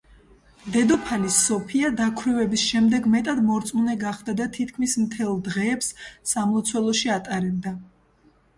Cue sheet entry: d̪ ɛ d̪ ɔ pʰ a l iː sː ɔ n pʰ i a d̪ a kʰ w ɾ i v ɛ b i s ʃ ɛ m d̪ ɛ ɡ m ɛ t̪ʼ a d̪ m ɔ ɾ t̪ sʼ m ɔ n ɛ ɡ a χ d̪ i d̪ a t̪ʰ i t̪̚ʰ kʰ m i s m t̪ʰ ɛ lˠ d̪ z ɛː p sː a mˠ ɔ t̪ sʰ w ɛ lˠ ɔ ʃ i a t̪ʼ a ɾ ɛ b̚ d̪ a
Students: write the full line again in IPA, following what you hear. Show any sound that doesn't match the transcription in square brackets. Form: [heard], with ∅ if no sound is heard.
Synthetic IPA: d̪ ɛ d̪ ɔ pʰ a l [i] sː ɔ [∅] pʰ i a d̪ a kʰ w ɾ i v ɛ b i s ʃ ɛ m d̪ ɛ ɡ m ɛ t̪ʼ a d̪ m ɔ ɾ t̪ sʼ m [u] n ɛ ɡ a χ d̪ [a] d̪ a t̪ʰ i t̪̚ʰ kʰ m i s m t̪ʰ ɛ lˠ d̪ [ʁ] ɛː p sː a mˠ ɔ t̪ sʰ w ɛ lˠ ɔ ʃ i a t̪ʼ a ɾ ɛ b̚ d̪ a

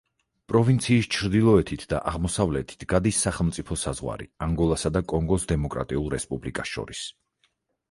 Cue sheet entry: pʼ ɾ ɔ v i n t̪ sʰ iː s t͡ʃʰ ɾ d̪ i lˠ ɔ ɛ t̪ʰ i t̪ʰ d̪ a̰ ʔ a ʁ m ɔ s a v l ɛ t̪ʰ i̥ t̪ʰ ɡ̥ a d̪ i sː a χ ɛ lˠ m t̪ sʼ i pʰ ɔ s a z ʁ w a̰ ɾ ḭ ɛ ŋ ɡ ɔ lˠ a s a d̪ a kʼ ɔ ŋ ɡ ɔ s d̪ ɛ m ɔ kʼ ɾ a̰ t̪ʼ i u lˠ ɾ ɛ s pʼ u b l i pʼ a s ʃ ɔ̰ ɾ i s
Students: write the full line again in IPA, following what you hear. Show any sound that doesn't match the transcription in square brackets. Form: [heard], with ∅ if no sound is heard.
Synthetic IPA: pʼ ɾ ɔ v i n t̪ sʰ iː s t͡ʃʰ ɾ d̪ i lˠ ɔ ɛ t̪ʰ i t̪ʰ d̪ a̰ ʔ a ʁ m ɔ s a v l ɛ t̪ʰ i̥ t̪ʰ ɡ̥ a d̪ i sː a χ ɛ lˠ m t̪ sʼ i pʰ ɔ s a z ʁ w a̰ ɾ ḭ [a] ŋ ɡ ɔ lˠ a s a d̪ a kʼ ɔ ŋ ɡ ɔ s d̪ ɛ m ɔ kʼ ɾ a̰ t̪ʼ i u lˠ ɾ ɛ s pʼ u b l i [kʼ] a s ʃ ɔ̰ ɾ i s

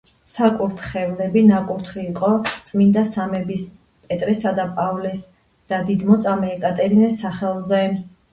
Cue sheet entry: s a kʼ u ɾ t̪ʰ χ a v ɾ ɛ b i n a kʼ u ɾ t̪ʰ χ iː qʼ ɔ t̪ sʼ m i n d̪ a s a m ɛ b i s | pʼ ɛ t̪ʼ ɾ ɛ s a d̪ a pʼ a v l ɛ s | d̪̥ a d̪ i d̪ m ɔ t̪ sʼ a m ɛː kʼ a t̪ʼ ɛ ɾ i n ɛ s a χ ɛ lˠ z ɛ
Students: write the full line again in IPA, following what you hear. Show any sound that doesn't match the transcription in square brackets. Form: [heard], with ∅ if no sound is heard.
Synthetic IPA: s a kʼ u ɾ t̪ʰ χ [ɛ] v [l] ɛ b i n a kʼ u ɾ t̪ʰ χ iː qʼ ɔ t̪ sʼ m i n d̪ a s a m ɛ b i s | pʼ ɛ t̪ʼ ɾ ɛ s a d̪ a pʼ a v l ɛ s | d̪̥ a d̪ i d̪ m ɔ t̪ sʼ a m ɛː kʼ a t̪ʼ ɛ ɾ i n ɛ s a χ ɛ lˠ z ɛ

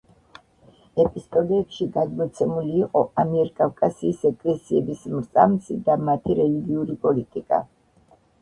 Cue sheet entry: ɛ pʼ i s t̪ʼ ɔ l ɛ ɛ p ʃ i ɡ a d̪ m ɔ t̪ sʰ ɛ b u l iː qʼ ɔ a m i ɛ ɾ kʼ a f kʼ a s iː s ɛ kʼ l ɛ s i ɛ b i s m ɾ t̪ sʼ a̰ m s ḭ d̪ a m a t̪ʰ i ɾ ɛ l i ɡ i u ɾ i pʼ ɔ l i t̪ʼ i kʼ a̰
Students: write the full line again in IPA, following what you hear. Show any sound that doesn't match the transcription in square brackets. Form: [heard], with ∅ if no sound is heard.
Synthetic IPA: ɛ pʼ i s t̪ʼ ɔ l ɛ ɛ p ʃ i ɡ a d̪ m ɔ t̪ sʰ ɛ [m] u l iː qʼ ɔ a m i ɛ ɾ kʼ a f kʼ a s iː s ɛ kʼ l ɛ s i ɛ b i s m ɾ t̪ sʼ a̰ m s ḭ d̪ a m a t̪ʰ i ɾ ɛ l i ɡ i u ɾ i pʼ ɔ l i t̪ʼ i kʼ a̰

